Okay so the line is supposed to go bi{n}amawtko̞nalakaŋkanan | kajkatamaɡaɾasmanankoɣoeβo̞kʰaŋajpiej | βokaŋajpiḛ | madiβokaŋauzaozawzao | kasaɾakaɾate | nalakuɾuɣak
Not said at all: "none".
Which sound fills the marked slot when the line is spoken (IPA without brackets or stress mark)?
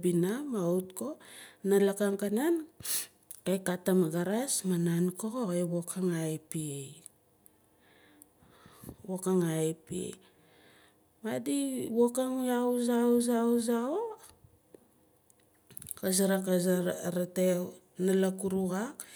n